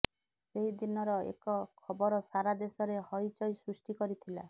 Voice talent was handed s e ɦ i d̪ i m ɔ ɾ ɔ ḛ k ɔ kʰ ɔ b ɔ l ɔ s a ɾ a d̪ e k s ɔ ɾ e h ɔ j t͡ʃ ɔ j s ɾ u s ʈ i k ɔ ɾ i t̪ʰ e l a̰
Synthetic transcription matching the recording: s e ɦ i d̪ i n ɔ ɾ ɔ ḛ k ɔ kʰ ɔ b ɔ ɾ ɔ s a ɾ a d̪ e s ɔ ɾ e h ɔ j t͡ʃ ɔ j s ɾ u s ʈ i k ɔ ɾ i t̪ʰ i l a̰

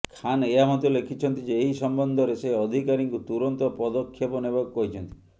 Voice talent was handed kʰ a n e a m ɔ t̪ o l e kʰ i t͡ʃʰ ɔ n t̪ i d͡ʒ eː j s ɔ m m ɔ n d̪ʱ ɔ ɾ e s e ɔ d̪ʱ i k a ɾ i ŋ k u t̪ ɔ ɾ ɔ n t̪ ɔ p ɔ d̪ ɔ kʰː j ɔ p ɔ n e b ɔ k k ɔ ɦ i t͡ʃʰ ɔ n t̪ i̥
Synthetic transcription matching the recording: kʰ a n e a m ɔ t̪ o l e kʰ i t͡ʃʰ ɔ n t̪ i d͡ʒ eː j s ɔ m b ɔ n d̪ʱ ɔ ɾ e s e ɔ d̪ʱ i k a ɾ i ŋ k u t̪ u ɾ ɔ n t̪ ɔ p ɔ d̪ ɔ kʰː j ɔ p ɔ n e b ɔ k k ɔ ɦ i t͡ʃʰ ɔ n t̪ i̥

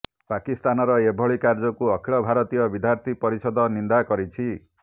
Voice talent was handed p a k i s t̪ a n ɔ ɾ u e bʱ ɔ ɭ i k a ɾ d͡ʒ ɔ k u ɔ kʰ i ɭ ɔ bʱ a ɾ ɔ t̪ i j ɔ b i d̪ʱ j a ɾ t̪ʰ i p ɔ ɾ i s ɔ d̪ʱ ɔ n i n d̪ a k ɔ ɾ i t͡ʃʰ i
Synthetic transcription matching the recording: p a k i s t̪ a n ɔ ɾ ɔ e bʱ ɔ ɭ i k a ɾ d͡ʒ ɔ k u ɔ kʰ i ɭ ɔ bʱ a ɾ ɔ t̪ i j ɔ b i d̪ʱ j a ɾ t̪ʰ i p ɔ ɾ i s ɔ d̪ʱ ɔ n i n d̪ a k ɔ ɾ i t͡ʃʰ i

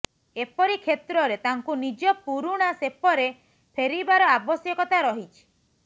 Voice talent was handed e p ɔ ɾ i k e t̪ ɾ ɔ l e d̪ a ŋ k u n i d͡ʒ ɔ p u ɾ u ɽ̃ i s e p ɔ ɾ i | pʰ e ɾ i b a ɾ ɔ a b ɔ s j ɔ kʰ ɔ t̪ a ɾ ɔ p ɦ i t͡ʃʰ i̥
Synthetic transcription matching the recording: e p ɔ ɾ i kʰ e t̪ ɾ ɔ ɾ e t̪ a ŋ k u n i d͡ʒ ɔ p u ɾ u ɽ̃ a s e p ɔ ɾ e | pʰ e ɾ i b a ɾ ɔ a b ɔ s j ɔ k ɔ t̪ a ɾ ɔ ɦ i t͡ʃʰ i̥

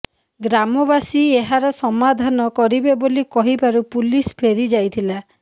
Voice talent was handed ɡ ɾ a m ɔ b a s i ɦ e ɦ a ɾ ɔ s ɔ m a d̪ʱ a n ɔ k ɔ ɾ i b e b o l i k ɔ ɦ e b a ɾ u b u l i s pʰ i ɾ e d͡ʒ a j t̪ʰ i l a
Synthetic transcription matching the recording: ɡ ɾ a m ɔ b a s i e ɦ a ɾ ɔ s ɔ m a d̪ʱ a n ɔ k ɔ ɾ i b e b o l i k ɔ ɦ i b a ɾ u p u l i s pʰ e ɾ i d͡ʒ a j t̪ʰ i l a

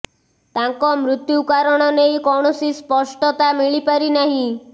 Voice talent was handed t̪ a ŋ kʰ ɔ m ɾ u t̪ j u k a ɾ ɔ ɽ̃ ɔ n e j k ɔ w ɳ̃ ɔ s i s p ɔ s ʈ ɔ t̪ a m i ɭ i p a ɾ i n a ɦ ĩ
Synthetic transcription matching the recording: t̪ a ŋ k ɔ m ɾ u t̪ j u k a ɾ ɔ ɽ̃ ɔ n e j k ɔ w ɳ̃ ɔ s i s p ɔ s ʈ ɔ t̪ a m i ɭ i p a ɾ i n a ɦ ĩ

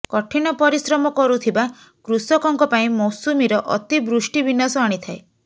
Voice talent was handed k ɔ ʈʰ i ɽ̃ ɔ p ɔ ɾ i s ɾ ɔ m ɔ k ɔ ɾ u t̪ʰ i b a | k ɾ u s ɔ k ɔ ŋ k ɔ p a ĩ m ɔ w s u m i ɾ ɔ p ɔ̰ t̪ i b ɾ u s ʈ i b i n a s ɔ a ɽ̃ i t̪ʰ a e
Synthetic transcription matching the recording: k ɔ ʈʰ i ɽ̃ ɔ p ɔ ɾ i s ɾ ɔ m ɔ k ɔ ɾ u t̪ʰ i b a | k ɾ u s ɔ k ɔ ŋ k ɔ p a ĩ m ɔ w s u m i ɾ ɔ ʔ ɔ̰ t̪ i b ɾ u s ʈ i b i n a s ɔ a ɽ̃ i t̪ʰ a e

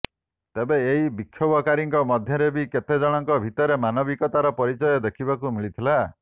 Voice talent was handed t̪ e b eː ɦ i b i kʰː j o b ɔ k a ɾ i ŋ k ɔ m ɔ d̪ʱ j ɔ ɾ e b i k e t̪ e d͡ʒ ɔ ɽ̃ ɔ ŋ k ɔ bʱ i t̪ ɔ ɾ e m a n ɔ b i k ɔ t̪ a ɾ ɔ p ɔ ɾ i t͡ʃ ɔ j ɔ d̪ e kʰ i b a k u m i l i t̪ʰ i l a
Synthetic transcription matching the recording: t̪ e b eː ɦ i b i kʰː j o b ɔ k a ɾ i ŋ k ɔ m ɔ d̪ʱ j ɔ ɾ e b i k e t̪ e d͡ʒ ɔ ɽ̃ ɔ ŋ k ɔ bʱ i t̪ ɔ ɾ e m a n ɔ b i k ɔ t̪ a ɾ ɔ p ɔ ɾ i t͡ʃ ɔ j ɔ d̪ e kʰ i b a k u m i ɭ i t̪ʰ i l a

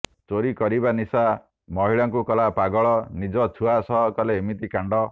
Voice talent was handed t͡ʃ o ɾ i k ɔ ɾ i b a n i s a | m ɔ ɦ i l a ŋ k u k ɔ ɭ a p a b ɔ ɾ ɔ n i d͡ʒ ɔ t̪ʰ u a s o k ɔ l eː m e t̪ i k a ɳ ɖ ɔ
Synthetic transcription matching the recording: t͡ʃ o ɾ i k ɔ ɾ i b a n i s a | m ɔ ɦ i ɭ a ŋ k u k ɔ l a p a ɡ ɔ ɭ ɔ n i d͡ʒ ɔ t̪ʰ u a s ɔ k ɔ l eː m i t̪ i k a ɳ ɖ ɔ

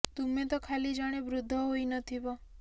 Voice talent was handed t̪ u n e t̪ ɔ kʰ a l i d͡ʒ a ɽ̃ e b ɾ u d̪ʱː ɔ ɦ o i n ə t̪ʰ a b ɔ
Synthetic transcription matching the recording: t̪ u m e t̪ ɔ kʰ a l i d͡ʒ a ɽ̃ e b ɾ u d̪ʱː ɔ ɦ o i n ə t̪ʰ i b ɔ

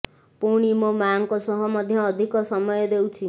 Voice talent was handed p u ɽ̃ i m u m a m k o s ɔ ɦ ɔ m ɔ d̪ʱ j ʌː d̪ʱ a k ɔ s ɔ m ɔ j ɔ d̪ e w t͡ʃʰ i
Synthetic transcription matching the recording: p u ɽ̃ i m o m a ŋ k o s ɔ ɦ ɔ m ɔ d̪ʱ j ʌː d̪ʱ i k ɔ s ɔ m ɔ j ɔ d̪ e w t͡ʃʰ i

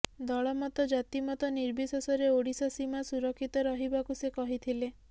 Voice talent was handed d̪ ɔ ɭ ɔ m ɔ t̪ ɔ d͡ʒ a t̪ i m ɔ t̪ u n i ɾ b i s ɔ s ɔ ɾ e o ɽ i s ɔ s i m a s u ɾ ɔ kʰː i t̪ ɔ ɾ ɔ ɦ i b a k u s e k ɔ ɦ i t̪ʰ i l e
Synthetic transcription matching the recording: d̪ ɔ ɭ ɔ m ɔ t̪ ɔ d͡ʒ a t̪ i m ɔ t̪ ɔ n i ɾ b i s ɔ s ɔ ɾ e o ɽ i s ɔ s i m a s u ɾ ɔ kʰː i t̪ ɔ ɾ ɔ ɦ i b a k u s e k ɔ ɦ i t̪ʰ i l e

